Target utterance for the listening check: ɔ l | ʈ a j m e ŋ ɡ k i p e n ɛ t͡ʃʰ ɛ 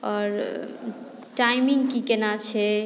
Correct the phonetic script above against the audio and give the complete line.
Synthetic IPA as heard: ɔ ɾ | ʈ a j m i ŋ ɡ k i k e n a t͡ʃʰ ɛ